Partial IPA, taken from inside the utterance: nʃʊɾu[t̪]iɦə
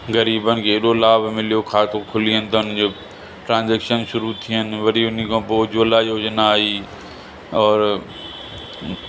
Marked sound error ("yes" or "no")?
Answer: yes